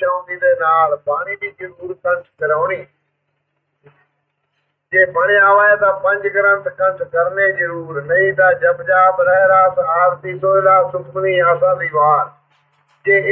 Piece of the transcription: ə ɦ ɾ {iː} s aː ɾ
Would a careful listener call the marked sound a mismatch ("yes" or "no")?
yes